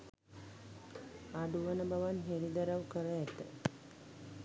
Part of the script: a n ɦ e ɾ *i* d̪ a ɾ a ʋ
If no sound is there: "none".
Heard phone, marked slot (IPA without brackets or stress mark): i